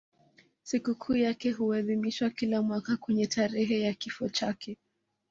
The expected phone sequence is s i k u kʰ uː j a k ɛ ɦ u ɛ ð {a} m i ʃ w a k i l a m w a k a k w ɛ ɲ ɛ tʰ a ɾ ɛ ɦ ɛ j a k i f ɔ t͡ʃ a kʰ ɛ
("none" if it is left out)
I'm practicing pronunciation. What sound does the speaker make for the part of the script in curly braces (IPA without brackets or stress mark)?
i